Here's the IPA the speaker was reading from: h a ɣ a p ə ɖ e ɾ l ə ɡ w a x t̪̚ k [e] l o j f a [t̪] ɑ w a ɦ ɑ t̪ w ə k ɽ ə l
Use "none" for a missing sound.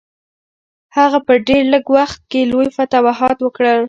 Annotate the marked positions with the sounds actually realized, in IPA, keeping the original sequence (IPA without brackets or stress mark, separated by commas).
e, t̪